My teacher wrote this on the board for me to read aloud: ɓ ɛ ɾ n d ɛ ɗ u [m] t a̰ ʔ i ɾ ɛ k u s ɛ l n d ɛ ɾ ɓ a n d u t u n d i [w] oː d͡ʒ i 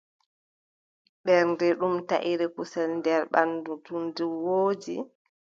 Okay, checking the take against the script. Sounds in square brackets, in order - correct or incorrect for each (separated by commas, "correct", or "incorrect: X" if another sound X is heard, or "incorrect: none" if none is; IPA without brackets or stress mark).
correct, correct